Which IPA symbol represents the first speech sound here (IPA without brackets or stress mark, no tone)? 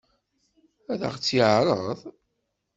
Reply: æ